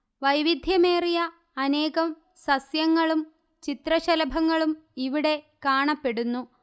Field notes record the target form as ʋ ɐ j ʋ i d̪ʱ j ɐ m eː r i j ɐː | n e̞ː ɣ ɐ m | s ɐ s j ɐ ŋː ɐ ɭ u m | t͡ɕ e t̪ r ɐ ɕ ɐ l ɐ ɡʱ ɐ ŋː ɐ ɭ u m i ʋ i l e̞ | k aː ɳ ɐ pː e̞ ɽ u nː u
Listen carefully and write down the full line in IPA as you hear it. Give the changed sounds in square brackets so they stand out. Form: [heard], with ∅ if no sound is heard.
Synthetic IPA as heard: ʋ ɐ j ʋ i d̪ʱ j ɐ m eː r i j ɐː | n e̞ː ɣ ɐ m | s ɐ s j ɐ ŋː ɐ ɭ u m | t͡ɕ [i] t̪ r ɐ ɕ ɐ l ɐ [bʱ] ɐ ŋː ɐ ɭ u m i ʋ i [ɽ] e̞ | k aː ɳ ɐ pː e̞ ɽ u nː u